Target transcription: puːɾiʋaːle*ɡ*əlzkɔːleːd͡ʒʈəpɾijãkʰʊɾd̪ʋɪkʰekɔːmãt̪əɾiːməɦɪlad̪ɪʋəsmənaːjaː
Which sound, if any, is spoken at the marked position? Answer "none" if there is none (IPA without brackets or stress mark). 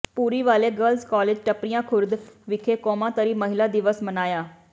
ɡ